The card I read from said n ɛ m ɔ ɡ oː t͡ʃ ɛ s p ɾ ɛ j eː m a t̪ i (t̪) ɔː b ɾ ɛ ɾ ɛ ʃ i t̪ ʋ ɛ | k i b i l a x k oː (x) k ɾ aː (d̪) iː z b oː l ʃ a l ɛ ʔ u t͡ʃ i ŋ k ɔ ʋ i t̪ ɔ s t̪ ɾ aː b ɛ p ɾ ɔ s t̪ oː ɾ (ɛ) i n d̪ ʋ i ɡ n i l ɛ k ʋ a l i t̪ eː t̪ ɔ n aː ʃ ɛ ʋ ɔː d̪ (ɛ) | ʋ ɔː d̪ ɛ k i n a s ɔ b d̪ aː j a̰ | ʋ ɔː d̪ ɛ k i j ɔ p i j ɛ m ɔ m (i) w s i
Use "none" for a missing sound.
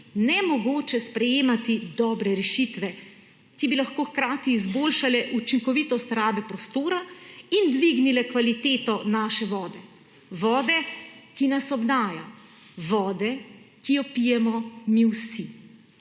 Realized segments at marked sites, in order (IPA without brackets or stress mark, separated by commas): d̪, x, t̪, a, ɛ, i